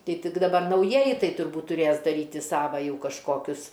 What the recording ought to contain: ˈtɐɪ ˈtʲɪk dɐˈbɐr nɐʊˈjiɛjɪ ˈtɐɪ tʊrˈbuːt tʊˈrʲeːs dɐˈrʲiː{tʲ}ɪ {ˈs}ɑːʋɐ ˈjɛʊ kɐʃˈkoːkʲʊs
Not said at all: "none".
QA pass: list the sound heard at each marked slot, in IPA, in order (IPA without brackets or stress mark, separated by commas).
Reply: tʲ, s